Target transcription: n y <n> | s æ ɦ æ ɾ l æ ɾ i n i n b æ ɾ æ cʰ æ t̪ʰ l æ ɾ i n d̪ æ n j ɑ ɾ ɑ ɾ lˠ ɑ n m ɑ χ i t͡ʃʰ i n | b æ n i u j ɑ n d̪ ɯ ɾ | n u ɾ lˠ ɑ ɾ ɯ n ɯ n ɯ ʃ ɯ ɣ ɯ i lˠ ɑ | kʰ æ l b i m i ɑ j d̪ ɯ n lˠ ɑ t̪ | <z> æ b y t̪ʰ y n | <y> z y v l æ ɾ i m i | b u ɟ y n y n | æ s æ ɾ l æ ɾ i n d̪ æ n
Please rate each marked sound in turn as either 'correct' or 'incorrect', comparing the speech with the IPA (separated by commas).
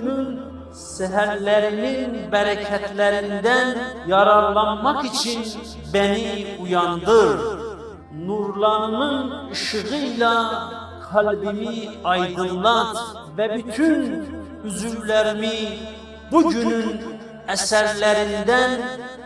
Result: correct, incorrect, correct